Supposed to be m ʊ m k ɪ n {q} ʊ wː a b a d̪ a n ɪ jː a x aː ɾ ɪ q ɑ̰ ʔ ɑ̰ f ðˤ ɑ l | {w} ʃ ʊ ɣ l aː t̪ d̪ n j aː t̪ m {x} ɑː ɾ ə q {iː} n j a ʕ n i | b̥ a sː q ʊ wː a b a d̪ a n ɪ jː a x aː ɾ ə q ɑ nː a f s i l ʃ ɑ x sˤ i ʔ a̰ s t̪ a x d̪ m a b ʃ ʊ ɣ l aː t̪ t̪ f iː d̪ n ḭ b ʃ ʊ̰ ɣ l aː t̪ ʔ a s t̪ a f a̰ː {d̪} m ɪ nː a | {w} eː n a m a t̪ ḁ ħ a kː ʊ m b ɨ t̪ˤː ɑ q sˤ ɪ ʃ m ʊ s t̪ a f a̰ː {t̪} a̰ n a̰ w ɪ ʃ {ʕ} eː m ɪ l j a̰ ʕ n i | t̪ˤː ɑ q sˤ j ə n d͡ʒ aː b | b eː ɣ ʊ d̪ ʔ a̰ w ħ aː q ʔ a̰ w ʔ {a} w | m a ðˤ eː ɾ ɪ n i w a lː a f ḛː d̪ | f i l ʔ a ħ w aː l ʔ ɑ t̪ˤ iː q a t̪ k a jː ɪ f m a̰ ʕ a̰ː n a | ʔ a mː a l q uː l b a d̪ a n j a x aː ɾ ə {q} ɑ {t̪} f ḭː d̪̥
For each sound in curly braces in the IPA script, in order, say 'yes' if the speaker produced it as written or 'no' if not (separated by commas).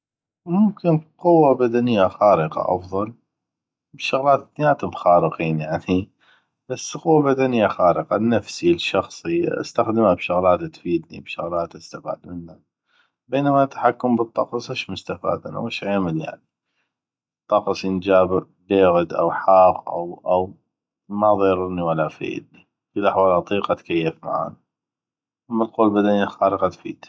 yes, no, yes, yes, yes, no, no, yes, yes, yes, yes